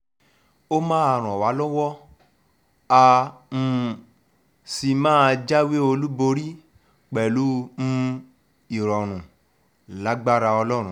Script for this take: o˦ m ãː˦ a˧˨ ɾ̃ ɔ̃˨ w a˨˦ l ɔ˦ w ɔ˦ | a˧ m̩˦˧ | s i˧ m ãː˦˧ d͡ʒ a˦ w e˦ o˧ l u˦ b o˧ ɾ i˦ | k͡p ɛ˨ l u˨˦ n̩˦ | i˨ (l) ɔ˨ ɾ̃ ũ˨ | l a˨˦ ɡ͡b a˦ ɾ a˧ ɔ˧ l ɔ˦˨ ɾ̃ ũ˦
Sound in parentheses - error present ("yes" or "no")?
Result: yes